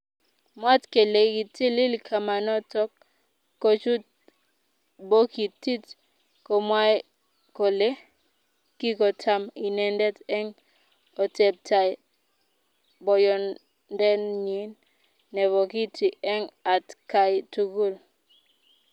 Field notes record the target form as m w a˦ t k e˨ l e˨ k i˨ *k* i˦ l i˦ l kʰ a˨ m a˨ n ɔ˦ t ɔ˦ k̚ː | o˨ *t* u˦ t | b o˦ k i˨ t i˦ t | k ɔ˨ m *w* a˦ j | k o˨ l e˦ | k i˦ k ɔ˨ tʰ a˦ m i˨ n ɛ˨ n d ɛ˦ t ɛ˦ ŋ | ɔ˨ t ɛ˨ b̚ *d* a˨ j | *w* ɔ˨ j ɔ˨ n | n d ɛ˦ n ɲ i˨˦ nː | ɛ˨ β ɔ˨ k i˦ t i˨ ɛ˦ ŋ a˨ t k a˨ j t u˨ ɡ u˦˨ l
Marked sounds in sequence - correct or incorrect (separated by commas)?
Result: incorrect, incorrect, correct, incorrect, incorrect